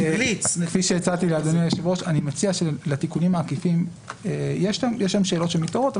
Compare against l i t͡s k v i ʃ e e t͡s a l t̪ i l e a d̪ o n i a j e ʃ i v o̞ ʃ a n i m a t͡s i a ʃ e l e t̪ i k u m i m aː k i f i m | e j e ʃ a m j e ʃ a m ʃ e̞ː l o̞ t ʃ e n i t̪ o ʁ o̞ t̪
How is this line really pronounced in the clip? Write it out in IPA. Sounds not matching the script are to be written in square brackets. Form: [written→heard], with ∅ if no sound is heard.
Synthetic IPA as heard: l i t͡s k [v→f] i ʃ e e t͡s a l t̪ i l e a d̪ o n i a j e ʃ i v o̞ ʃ a n i m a t͡s i a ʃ e l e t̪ i k u [m→n] i m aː k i f i m | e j e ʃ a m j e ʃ a m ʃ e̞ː l o̞ t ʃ e [n→m] i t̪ o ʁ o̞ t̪